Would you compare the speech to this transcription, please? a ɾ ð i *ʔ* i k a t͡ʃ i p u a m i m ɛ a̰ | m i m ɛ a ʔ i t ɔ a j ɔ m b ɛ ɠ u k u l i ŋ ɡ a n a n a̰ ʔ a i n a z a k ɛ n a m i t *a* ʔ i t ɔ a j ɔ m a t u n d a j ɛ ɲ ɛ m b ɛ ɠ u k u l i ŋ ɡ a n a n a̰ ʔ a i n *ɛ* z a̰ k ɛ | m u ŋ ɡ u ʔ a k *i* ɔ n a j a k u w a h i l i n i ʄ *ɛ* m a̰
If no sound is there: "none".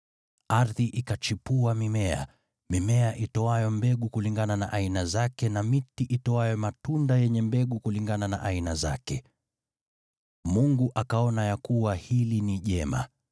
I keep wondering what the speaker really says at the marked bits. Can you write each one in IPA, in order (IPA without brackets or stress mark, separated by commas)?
ʔ, i, a, a, ɛ